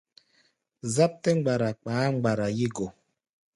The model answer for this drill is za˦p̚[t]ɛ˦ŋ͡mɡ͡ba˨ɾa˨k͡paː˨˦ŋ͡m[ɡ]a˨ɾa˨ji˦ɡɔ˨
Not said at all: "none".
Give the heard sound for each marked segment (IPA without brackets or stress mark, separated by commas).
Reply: t, ɡ͡b